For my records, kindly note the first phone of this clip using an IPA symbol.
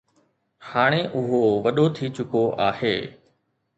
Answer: h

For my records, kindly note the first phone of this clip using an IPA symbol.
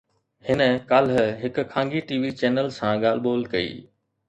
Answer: h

